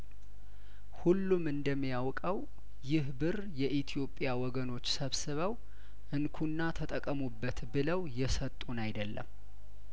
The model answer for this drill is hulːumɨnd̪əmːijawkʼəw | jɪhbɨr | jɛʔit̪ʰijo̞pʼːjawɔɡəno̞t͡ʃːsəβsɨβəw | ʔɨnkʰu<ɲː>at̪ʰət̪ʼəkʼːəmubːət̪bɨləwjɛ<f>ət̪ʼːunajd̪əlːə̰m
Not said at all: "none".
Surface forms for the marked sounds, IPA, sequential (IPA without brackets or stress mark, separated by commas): nː, s